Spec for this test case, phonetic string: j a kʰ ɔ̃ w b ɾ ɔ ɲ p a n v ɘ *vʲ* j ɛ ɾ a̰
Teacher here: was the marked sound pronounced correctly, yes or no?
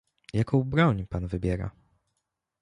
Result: no